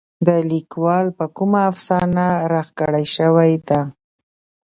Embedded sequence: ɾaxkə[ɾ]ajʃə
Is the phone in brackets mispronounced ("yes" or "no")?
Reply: yes